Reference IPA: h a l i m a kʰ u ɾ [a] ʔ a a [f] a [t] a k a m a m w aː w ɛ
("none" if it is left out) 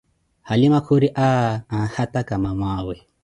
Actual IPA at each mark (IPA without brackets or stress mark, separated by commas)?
i, h, t